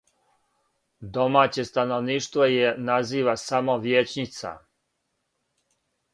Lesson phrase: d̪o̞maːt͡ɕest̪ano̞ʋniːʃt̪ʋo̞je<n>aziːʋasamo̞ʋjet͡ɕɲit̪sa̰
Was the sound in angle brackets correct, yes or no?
yes